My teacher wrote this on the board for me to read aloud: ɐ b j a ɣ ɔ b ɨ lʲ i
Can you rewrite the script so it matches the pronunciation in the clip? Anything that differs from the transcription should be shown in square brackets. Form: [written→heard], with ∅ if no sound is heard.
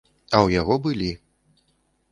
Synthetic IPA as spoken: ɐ [b→w] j a ɣ ɔ b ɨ lʲ i

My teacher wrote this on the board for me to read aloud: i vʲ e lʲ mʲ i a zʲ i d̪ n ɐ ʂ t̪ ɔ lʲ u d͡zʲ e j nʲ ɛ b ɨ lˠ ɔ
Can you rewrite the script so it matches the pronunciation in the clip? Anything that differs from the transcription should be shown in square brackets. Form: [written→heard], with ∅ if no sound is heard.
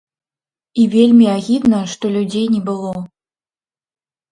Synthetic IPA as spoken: i vʲ e lʲ mʲ i a [zʲ→ɣʲ] i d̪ n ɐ ʂ t̪ ɔ lʲ u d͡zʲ e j nʲ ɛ b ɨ lˠ ɔ

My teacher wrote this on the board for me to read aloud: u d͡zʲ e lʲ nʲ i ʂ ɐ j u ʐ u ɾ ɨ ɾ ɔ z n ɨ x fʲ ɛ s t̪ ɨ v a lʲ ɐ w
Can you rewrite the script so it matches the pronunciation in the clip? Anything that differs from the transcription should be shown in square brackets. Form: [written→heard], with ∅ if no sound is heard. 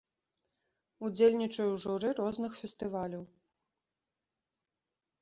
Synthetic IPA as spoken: u d͡zʲ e lʲ nʲ i [ʂ→t͡ʂ] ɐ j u ʐ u ɾ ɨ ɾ ɔ z n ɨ x fʲ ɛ s t̪ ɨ v a lʲ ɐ w

